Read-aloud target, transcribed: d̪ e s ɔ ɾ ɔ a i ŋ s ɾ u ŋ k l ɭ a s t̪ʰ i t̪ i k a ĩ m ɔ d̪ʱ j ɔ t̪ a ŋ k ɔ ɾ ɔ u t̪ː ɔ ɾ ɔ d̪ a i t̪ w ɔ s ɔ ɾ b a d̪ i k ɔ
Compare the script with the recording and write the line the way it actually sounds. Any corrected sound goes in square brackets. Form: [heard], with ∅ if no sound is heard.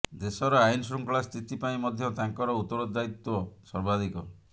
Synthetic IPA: d̪ e s ɔ ɾ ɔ a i [n] s ɾ u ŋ k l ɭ a s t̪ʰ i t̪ i [p] a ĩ m ɔ d̪ʱ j ɔ t̪ a ŋ k ɔ ɾ ɔ u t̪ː ɔ ɾ ɔ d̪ a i t̪ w ɔ s ɔ ɾ b a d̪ i k ɔ

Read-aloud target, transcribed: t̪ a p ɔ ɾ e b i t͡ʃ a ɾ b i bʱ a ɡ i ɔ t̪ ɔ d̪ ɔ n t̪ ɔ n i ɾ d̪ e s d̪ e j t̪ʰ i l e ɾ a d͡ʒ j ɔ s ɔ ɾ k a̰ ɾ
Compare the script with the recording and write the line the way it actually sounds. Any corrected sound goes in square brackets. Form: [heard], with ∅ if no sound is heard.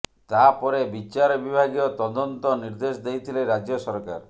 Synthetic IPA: t̪ a p ɔ ɾ e b i t͡ʃ a ɾ b i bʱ a ɡ i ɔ t̪ ɔ d̪ ɔ n t̪ ɔ n i ɾ d̪ e s d̪ e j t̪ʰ i l e ɾ a d͡ʒ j ɔ s ɔ ɾ k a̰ ɾ

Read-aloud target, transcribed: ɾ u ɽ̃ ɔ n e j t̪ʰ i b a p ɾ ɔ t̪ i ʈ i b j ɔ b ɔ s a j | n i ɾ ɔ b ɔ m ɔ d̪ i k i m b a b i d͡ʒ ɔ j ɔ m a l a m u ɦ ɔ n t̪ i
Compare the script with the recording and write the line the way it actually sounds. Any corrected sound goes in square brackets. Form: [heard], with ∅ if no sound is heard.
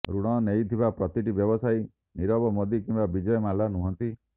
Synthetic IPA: ɾ u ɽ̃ ɔ n e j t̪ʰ i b a p ɾ ɔ t̪ i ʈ i b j ɔ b ɔ s a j | n i ɾ ɔ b ɔ m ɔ d̪ i k i m b a b i d͡ʒ ɔ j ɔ m a l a [n] u ɦ ɔ n t̪ i

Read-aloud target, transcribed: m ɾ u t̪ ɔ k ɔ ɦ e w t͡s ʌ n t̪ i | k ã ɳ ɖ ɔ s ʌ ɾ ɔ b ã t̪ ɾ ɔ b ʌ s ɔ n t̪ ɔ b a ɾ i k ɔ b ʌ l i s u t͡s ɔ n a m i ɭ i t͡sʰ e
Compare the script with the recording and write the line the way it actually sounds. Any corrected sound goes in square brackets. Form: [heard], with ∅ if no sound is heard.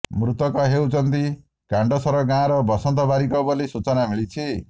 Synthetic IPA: m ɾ u t̪ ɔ k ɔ ɦ e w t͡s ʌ n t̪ i | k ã ɳ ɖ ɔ s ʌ ɾ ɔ [ɡ] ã [∅] ɾ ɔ b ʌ s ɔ n t̪ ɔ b a ɾ i k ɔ b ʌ l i s u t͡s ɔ n a m i ɭ i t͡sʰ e

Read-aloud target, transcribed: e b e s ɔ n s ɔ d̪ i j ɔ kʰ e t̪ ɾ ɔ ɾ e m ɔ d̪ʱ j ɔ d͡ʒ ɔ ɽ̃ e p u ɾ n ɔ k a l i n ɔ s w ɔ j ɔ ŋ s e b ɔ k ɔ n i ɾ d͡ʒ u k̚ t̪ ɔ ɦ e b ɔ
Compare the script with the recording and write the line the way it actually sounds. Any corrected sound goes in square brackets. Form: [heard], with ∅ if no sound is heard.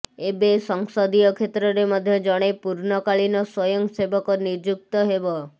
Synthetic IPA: e b e s ɔ [ŋ] s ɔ d̪ i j ɔ kʰ e t̪ ɾ ɔ ɾ e m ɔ d̪ʱ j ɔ d͡ʒ ɔ ɽ̃ e p u ɾ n ɔ k a [ɭ] i n ɔ s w ɔ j ɔ ŋ s e b ɔ k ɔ n i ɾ d͡ʒ u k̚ t̪ ɔ ɦ e b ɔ

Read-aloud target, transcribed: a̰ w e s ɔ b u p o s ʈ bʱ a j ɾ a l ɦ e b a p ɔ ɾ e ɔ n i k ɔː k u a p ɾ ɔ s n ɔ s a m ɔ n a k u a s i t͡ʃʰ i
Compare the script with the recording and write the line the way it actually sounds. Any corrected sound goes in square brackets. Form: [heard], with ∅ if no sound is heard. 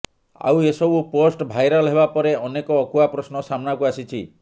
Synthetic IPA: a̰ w e s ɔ b u p o s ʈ bʱ a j ɾ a l ɦ e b a p ɔ ɾ e ɔ n [e] k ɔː k u a p ɾ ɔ s n ɔ s a m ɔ n a k u a s i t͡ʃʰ i

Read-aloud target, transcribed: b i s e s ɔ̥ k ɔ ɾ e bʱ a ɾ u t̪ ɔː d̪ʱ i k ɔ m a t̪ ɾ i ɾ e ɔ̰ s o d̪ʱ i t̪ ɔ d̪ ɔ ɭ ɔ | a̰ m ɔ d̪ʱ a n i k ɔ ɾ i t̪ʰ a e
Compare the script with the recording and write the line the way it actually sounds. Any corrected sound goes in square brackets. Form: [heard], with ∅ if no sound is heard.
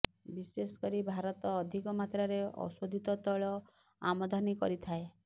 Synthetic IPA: b i s e s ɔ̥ k ɔ ɾ [i] bʱ a ɾ [ɔ] t̪ ɔː d̪ʱ i k ɔ m a t̪ ɾ [a] ɾ e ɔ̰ s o d̪ʱ i t̪ ɔ [t̪] ɔ ɭ ɔ | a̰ m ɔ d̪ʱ a n i k ɔ ɾ i t̪ʰ a e

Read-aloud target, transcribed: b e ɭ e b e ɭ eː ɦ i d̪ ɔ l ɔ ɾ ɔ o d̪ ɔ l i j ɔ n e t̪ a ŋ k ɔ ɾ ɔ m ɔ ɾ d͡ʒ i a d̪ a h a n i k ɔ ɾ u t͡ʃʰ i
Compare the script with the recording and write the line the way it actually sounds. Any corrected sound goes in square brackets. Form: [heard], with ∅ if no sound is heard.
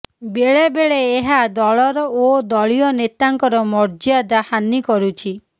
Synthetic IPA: b e ɭ e b e ɭ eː ɦ [a] d̪ ɔ [ɭ] ɔ ɾ ɔ o d̪ ɔ [ɭ] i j ɔ n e t̪ a ŋ k ɔ ɾ ɔ m ɔ ɾ d͡ʒ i a d̪ a h a n i k ɔ ɾ u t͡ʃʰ i

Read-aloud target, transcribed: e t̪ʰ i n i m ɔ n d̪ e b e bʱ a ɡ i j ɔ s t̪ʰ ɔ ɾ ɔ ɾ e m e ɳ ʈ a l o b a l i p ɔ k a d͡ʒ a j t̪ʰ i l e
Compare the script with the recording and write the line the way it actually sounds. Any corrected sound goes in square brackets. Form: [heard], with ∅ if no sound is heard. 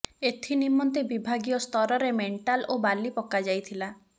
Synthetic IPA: e t̪ʰ i n i m ɔ n [t̪] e b [i] bʱ a ɡ i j ɔ s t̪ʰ ɔ ɾ ɔ ɾ e m e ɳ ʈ a l o b a l i p ɔ k a d͡ʒ a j t̪ʰ i l [a]

